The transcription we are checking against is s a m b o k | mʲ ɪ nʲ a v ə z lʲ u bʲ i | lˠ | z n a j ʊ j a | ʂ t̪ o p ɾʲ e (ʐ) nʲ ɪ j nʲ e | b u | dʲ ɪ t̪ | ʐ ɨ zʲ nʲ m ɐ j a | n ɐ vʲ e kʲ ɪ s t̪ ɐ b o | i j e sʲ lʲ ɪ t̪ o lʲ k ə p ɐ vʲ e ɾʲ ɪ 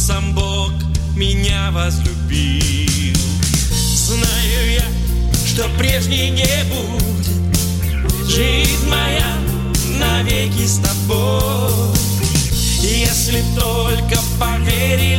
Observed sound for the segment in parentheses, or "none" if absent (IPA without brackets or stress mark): ʐ